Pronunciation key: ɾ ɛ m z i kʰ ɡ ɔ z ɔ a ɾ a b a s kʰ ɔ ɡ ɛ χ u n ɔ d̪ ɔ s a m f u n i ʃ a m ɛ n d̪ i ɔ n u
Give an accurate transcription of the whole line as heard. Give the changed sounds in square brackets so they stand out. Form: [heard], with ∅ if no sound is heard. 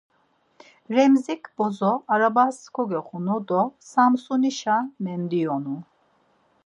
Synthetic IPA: ɾ ɛ m z i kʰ [b] ɔ z ɔ a ɾ a b a s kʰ ɔ ɡ ɛ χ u n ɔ d̪ ɔ s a m [s] u n i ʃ a m ɛ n d̪ i ɔ n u